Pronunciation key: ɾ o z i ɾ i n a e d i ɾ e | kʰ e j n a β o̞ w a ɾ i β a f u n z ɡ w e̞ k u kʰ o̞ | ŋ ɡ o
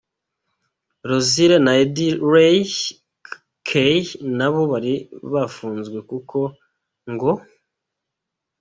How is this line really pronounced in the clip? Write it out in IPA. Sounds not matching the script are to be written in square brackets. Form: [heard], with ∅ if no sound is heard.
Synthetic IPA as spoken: ɾ o z i ɾ [e] n a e d i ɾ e | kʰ e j n a β o̞ [β] a ɾ i β a f [uː] n z ɡ w e̞ k u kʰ o̞ | ŋ ɡ o